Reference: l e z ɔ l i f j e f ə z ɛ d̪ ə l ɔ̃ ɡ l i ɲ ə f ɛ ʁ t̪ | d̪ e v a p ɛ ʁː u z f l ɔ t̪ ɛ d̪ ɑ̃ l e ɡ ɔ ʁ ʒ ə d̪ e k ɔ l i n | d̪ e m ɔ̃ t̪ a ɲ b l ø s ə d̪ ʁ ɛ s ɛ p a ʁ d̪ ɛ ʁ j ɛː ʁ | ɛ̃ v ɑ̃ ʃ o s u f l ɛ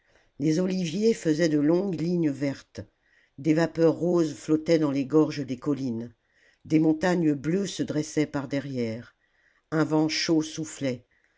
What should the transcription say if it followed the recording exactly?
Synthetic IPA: l e z ɔ l i v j e f ə z ɛ d̪ ə l ɔ̃ ɡ l i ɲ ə v ɛ ʁ t̪ | d̪ e v a p œ ʁː o z f l ɔ t̪ ɛ d̪ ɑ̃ l e ɡ ɔ ʁ ʒ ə d̪ e k ɔ l i n | d̪ e m ɔ̃ t̪ a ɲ b l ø s ə d̪ ʁ ɛ s ɛ p a ʁ d̪ ɛ ʁ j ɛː ʁ | ɛ̃ v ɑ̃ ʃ o s u f l ɛ